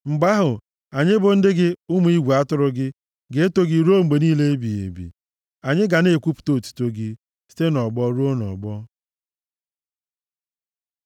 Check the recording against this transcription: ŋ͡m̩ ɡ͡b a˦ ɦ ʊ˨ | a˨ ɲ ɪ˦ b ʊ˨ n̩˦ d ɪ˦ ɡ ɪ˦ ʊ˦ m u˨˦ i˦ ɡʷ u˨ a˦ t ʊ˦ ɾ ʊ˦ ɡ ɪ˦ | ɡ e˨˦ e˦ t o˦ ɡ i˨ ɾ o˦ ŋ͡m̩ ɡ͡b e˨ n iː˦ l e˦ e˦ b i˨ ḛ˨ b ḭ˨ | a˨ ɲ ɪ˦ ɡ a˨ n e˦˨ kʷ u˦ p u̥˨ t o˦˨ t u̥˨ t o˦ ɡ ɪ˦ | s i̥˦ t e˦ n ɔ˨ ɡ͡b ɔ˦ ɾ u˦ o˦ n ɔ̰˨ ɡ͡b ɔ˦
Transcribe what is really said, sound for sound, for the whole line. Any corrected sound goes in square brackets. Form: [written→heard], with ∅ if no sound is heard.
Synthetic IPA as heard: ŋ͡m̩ ɡ͡b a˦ ɦ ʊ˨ | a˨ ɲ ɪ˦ b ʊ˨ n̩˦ d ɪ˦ ɡ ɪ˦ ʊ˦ m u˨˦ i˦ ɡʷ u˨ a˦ t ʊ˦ ɾ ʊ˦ ɡ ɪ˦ | ɡ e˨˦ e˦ t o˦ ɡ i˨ ɾ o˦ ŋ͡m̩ ɡ͡b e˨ n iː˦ l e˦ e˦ b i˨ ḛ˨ b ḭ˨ | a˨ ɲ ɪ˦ ɡ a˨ n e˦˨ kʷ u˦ p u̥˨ t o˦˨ t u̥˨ t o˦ ɡ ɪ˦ | s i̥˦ t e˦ n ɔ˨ ɡ͡b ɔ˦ ɾ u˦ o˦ n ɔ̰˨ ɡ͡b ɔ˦